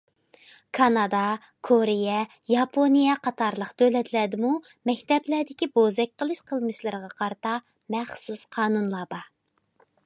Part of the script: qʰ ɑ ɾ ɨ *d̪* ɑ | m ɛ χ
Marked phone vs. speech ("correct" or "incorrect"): incorrect